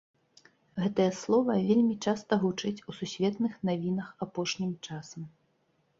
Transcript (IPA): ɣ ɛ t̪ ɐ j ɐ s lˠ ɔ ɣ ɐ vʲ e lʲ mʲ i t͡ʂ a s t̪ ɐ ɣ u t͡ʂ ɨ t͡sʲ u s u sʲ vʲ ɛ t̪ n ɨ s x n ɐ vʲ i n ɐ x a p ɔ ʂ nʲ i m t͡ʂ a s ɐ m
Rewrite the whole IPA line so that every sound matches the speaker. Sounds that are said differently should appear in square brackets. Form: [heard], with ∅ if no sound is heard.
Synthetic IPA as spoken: ɣ ɛ t̪ ɐ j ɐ s lˠ ɔ [v] ɐ vʲ e lʲ mʲ i t͡ʂ a s t̪ ɐ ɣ u t͡ʂ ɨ t͡sʲ u s u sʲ vʲ ɛ t̪ n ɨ [∅] x n [a] vʲ i n ɐ x a p ɔ ʂ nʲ i m t͡ʂ a s ɐ m